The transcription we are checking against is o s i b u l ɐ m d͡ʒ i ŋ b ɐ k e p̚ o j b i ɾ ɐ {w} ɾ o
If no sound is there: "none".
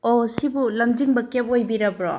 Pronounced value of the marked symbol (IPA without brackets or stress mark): b